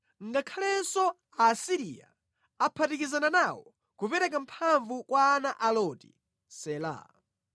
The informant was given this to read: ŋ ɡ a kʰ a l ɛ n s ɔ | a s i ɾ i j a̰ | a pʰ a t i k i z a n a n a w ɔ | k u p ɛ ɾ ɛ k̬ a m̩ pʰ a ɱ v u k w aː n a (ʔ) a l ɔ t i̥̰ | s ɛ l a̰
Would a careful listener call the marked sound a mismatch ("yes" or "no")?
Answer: no